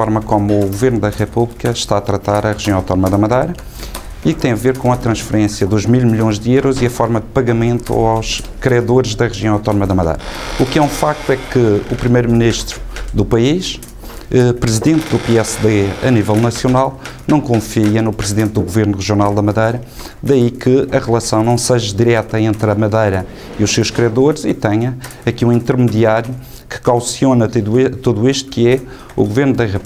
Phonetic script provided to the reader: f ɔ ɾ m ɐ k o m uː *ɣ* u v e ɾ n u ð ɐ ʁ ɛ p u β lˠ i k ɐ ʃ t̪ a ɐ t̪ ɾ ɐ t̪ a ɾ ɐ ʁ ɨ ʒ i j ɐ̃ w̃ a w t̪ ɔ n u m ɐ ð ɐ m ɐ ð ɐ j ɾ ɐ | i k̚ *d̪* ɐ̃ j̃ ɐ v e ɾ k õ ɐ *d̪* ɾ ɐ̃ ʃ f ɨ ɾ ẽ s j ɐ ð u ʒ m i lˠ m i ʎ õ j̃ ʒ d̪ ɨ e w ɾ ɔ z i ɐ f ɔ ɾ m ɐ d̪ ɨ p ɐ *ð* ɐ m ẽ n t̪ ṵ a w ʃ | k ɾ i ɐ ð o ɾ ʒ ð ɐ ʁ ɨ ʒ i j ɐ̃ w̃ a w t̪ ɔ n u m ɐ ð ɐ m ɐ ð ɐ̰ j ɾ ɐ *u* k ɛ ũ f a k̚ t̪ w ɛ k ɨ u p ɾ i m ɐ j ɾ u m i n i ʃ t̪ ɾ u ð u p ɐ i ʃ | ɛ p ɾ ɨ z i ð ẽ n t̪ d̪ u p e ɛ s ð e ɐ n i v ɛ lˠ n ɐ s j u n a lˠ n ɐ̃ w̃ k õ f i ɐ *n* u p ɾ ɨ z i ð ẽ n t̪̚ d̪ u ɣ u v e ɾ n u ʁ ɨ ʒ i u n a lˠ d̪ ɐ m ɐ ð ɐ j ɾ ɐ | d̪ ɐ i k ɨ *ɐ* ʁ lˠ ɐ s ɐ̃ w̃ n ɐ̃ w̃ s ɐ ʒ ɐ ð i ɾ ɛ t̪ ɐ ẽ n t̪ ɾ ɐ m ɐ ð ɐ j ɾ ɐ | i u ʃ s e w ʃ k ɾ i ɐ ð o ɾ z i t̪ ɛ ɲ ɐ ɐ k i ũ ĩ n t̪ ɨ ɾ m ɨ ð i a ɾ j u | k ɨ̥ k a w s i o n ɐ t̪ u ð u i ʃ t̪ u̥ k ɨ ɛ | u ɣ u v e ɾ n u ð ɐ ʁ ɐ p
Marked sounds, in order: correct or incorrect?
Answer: correct, incorrect, incorrect, incorrect, correct, correct, correct

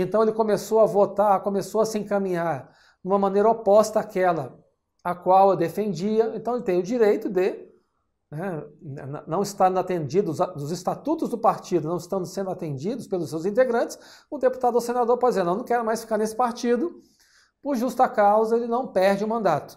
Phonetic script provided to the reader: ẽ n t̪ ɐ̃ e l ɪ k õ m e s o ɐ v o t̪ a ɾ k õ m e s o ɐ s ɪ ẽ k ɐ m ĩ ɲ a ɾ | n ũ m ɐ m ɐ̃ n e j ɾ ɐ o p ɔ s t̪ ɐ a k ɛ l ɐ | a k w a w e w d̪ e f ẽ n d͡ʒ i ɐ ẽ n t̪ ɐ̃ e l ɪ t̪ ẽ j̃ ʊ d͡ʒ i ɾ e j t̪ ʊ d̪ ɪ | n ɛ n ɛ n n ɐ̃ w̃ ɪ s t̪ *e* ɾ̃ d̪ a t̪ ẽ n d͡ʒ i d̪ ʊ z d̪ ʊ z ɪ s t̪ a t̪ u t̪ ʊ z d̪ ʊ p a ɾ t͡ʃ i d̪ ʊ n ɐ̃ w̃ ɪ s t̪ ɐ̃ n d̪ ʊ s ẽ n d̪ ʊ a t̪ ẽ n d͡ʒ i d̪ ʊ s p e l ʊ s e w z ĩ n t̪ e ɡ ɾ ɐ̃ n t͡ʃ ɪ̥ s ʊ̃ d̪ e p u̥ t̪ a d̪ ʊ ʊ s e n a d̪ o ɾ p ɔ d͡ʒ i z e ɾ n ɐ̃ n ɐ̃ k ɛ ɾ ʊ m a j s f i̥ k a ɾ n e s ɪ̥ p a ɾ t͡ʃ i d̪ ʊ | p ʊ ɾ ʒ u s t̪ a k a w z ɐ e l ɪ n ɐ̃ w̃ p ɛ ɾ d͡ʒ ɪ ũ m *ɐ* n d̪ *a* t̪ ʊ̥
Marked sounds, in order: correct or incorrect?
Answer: incorrect, incorrect, correct

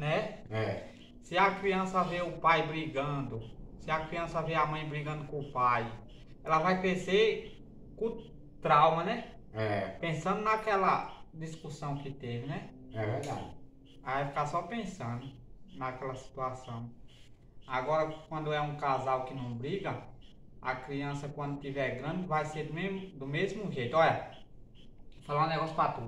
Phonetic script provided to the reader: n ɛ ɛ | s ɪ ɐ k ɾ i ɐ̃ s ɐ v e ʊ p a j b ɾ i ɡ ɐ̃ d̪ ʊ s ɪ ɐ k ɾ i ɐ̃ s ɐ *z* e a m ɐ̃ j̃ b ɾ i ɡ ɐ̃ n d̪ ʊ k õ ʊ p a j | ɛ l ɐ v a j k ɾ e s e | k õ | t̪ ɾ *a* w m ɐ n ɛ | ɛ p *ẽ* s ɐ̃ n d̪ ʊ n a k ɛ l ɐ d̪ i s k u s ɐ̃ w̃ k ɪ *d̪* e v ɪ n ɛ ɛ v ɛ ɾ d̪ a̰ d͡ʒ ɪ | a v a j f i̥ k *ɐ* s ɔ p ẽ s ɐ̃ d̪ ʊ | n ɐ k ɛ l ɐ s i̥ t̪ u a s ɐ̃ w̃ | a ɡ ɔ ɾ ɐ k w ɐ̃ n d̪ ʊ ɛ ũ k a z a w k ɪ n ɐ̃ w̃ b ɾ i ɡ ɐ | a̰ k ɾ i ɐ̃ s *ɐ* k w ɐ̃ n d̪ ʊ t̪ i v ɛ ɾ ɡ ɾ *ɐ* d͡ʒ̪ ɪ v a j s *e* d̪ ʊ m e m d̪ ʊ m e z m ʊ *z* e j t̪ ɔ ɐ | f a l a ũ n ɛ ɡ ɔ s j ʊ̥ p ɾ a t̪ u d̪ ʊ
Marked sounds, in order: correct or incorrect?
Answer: incorrect, correct, correct, incorrect, incorrect, correct, incorrect, correct, incorrect

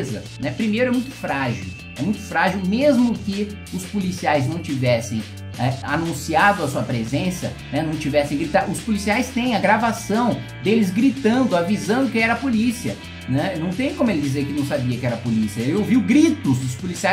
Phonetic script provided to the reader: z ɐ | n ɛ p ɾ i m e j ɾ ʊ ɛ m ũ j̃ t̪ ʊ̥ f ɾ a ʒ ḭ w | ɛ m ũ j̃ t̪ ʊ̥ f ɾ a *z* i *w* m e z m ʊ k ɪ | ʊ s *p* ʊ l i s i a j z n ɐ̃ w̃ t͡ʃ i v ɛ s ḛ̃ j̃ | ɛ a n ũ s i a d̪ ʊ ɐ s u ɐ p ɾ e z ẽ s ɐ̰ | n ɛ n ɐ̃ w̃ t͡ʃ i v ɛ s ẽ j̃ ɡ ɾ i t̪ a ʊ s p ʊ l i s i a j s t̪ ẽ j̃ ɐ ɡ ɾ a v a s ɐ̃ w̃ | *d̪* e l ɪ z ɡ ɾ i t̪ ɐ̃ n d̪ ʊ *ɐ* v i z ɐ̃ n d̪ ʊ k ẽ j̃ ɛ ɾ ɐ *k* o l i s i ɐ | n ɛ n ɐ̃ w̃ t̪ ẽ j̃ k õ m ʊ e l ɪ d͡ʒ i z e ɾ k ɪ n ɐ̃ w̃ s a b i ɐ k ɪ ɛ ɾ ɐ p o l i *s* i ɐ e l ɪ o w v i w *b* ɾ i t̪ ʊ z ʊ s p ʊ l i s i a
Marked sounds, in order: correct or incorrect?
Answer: incorrect, correct, correct, correct, incorrect, incorrect, correct, incorrect

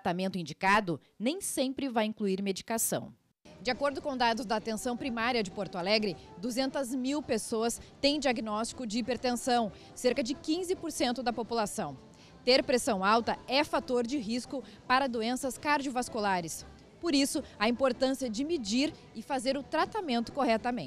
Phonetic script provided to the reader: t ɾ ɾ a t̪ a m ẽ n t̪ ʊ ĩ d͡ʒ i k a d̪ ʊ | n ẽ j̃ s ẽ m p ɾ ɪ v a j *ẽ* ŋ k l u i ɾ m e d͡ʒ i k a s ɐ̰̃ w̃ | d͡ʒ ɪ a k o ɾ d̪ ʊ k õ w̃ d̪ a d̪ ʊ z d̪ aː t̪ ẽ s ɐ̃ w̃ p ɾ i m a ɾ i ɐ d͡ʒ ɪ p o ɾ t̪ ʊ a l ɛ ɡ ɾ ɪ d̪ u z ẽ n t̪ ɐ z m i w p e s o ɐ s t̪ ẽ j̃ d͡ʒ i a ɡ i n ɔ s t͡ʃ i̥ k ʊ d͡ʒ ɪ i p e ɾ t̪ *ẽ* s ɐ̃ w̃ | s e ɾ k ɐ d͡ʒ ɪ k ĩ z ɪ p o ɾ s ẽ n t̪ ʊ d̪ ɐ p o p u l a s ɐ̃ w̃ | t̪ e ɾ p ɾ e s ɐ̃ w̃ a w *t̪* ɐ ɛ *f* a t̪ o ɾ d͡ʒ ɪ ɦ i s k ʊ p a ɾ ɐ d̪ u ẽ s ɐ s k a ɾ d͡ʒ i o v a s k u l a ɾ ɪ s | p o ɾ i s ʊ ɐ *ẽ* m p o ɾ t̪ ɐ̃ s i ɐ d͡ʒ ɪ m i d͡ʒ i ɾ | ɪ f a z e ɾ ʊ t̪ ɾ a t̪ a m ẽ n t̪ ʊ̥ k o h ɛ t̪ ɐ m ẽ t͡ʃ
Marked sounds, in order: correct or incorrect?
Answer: incorrect, correct, correct, correct, incorrect

